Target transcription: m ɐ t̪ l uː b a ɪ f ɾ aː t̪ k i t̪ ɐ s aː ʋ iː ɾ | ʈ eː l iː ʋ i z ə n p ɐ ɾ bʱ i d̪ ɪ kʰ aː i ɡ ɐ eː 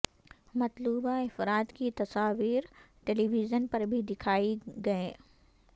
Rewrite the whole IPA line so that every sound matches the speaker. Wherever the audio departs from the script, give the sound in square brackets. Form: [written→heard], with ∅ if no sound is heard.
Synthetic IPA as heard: m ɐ t̪ l uː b a ɪ f ɾ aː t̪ k i t̪ ɐ s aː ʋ iː ɾ | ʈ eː l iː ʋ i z ə n p ɐ ɾ bʱ i d̪ ɪ kʰ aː i ɡ ɐ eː